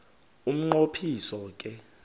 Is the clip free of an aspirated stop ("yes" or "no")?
no